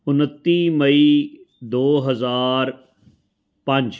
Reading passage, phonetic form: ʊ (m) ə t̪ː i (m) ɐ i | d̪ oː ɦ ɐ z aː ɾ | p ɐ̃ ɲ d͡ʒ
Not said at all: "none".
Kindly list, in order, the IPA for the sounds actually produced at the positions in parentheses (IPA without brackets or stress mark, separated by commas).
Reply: n, m